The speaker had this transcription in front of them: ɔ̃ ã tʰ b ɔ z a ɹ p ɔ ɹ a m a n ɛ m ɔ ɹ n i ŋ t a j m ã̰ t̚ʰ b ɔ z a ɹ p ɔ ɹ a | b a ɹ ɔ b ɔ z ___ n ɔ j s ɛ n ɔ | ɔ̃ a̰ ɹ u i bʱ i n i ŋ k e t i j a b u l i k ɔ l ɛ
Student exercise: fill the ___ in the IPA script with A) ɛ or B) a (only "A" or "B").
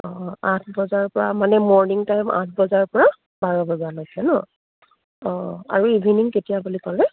B